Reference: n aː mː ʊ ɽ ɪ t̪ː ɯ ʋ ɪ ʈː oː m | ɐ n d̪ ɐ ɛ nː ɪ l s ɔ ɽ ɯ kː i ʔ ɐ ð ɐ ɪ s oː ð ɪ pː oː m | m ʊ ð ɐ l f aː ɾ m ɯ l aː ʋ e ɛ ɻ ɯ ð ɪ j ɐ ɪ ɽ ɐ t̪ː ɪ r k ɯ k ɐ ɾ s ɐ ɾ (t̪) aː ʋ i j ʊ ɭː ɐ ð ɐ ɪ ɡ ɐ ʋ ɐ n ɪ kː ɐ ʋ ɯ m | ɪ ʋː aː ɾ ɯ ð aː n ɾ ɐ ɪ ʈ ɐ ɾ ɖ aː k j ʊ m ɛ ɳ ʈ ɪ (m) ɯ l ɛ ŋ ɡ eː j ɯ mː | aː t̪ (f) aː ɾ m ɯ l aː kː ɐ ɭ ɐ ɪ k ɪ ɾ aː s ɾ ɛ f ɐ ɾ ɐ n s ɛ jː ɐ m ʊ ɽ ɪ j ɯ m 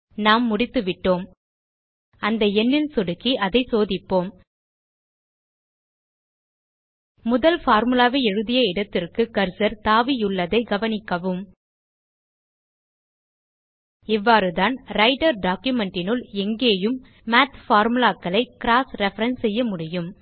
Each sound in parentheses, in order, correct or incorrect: correct, incorrect: n, correct

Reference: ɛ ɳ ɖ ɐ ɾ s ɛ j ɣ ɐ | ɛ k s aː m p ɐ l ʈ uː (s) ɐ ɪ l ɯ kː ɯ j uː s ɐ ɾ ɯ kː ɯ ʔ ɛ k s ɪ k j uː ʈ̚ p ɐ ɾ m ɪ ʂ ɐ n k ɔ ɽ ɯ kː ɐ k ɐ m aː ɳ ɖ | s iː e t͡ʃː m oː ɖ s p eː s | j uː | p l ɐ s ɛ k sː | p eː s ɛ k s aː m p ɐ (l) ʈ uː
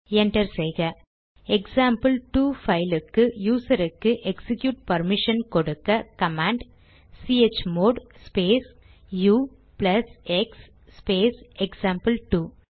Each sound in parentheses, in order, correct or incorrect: incorrect: f, correct

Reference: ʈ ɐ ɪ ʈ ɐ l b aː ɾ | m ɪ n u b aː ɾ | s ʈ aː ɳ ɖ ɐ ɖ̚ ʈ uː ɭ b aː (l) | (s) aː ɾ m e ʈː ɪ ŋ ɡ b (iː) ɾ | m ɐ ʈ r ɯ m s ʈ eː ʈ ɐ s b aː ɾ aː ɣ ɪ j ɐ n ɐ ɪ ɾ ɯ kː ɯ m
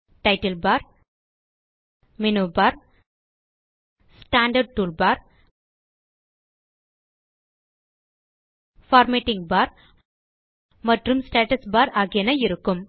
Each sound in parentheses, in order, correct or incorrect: incorrect: ɾ, incorrect: f, incorrect: aː

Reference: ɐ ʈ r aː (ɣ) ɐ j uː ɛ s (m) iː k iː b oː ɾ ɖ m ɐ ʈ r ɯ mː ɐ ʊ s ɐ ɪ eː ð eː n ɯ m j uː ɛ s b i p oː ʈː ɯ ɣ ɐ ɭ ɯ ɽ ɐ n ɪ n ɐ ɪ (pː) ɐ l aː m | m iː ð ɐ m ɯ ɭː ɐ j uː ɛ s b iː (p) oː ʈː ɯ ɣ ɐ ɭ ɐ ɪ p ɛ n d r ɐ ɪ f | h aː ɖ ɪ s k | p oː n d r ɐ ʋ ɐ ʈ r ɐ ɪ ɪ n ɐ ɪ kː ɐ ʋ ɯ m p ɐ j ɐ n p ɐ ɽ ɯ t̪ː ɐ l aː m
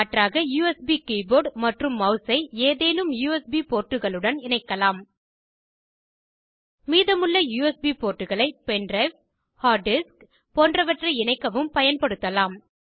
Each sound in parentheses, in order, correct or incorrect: correct, incorrect: b, incorrect: kː, correct

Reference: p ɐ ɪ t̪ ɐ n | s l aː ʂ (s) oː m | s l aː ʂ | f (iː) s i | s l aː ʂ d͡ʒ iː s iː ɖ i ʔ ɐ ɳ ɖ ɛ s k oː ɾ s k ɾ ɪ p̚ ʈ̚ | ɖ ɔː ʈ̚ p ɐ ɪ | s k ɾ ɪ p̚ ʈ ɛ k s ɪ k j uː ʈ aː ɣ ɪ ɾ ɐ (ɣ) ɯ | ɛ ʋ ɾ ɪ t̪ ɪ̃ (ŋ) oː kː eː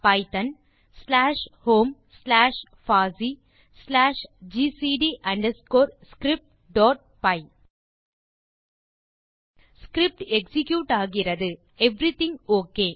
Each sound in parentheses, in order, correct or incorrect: incorrect: h, incorrect: aː, incorrect: ð, correct

